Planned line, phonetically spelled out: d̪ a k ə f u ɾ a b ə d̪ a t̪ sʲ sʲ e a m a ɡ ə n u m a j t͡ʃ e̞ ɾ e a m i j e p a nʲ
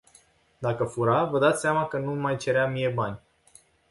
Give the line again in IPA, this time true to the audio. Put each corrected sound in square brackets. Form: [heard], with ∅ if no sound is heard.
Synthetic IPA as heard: d̪ a k ə f u ɾ a [v] ə d̪ a t̪ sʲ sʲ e a m a [k] ə n u m a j t͡ʃ e̞ ɾ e a m i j e [b] a nʲ